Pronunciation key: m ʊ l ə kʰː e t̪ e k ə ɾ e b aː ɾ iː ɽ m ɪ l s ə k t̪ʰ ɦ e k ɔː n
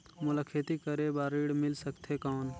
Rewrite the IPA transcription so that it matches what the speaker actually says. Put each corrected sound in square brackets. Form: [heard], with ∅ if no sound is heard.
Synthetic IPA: m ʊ l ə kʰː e t̪ [i] k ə ɾ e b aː ɾ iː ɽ m ɪ l s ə k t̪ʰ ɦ e k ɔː n